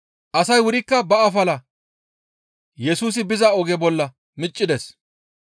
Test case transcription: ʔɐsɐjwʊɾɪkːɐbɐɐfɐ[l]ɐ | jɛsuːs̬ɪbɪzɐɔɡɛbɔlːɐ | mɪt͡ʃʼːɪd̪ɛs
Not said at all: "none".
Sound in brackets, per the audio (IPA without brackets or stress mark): l